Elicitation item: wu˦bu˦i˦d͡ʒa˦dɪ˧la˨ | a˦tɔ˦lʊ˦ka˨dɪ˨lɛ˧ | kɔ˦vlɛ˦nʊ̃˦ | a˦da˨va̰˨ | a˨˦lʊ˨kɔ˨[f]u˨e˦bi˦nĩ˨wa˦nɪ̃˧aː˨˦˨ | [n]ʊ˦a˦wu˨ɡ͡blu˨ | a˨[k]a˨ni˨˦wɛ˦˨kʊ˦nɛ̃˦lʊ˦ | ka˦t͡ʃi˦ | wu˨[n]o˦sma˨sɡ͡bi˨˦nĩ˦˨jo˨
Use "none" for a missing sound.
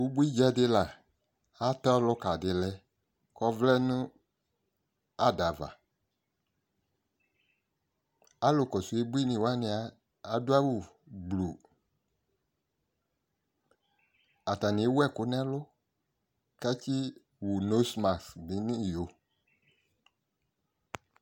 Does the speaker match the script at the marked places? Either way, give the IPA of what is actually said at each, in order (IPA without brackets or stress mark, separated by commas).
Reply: s, d, t, n